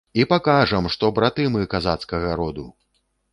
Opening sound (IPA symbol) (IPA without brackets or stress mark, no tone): i